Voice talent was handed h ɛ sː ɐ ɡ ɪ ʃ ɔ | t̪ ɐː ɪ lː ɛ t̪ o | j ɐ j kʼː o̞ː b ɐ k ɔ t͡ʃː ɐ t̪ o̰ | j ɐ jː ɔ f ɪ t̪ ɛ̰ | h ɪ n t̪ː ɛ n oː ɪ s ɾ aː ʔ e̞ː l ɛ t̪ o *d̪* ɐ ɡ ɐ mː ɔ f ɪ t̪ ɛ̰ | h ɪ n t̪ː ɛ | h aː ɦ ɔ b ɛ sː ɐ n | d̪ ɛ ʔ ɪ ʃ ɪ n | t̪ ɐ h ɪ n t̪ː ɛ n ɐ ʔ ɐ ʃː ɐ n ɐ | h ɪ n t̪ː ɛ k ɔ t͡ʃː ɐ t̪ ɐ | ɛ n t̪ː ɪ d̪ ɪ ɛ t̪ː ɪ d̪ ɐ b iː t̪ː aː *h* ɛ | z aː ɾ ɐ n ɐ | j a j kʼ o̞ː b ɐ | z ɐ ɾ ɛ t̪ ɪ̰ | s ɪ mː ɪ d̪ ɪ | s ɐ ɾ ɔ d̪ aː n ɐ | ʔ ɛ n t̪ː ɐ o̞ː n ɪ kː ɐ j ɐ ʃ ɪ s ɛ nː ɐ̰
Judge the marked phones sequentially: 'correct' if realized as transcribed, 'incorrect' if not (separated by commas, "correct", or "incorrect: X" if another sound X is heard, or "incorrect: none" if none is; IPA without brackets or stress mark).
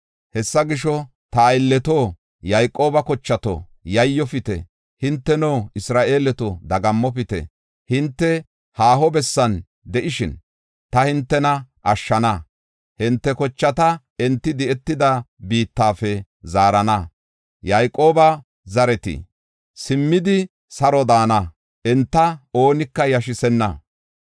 correct, incorrect: f